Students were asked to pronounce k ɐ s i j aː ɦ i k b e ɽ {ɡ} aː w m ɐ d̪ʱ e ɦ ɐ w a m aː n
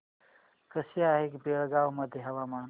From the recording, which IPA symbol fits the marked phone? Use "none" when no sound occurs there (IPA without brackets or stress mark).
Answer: ɡ